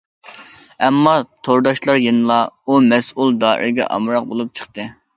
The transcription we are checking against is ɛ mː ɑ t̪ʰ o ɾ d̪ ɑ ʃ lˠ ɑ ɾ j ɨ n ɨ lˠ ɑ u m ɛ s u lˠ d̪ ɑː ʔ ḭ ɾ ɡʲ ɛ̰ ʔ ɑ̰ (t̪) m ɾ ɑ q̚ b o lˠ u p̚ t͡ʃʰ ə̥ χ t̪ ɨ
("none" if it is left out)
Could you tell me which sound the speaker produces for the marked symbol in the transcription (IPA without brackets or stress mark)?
none